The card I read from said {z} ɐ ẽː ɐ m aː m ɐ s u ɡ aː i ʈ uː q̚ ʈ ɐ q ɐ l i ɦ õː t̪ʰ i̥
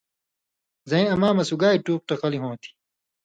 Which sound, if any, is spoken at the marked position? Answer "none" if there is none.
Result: z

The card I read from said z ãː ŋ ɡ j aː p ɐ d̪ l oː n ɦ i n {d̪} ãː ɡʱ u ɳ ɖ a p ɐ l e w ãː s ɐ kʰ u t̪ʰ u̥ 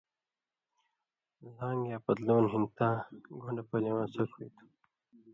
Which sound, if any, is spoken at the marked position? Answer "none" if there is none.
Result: t̪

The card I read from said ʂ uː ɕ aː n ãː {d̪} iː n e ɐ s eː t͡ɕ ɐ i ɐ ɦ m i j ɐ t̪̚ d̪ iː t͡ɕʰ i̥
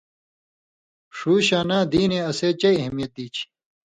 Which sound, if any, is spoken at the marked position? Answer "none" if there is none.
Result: d̪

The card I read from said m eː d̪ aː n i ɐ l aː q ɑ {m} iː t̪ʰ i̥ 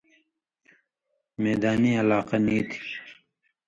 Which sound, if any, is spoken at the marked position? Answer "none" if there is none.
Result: n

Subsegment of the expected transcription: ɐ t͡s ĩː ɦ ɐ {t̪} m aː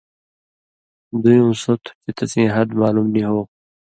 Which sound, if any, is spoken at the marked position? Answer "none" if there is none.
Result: d̪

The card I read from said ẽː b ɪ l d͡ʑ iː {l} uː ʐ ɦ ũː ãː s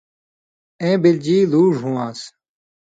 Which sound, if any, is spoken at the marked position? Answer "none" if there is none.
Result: l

